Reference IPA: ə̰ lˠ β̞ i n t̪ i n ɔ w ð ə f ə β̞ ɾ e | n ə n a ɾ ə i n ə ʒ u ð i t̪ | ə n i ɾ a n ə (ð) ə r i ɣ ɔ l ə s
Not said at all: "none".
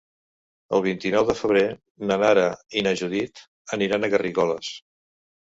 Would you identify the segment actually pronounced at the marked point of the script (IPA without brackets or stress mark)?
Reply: ɣ